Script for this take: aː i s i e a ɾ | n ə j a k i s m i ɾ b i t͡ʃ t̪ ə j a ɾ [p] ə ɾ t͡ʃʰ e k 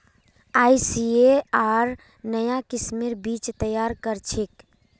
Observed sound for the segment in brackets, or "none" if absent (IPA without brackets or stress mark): k